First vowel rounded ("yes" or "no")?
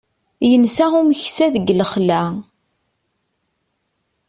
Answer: no